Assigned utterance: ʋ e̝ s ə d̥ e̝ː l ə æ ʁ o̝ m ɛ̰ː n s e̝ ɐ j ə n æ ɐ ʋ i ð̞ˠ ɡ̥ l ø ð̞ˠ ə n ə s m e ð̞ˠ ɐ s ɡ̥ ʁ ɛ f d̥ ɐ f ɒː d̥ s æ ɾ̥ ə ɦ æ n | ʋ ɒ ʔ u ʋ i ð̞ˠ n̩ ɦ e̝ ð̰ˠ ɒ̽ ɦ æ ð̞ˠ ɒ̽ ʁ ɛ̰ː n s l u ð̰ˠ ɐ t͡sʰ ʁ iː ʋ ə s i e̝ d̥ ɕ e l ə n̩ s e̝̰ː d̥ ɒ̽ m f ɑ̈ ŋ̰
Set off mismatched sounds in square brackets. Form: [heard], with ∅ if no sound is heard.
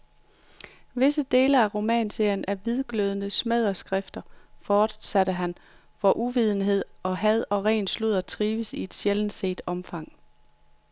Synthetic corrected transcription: ʋ e̝ s ə d̥ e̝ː l ə æ ʁ o̝ m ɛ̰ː n s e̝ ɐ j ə n æ ɐ ʋ i ð̞ˠ ɡ̥ l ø ð̞ˠ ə n ə s m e ð̞ˠ ɐ s ɡ̥ ʁ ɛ f d̥ ɐ f ɒː d̥ s æ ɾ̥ ə ɦ æ n | ʋ ɒ ʔ u ʋ i ð̞ˠ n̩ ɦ e̝ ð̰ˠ ɒ̽ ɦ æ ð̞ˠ ɒ̽ ʁ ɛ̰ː n s l u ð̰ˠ ɐ t͡sʰ ʁ iː ʋ ə s i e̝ d̥ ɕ e l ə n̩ s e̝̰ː d̥ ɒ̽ m f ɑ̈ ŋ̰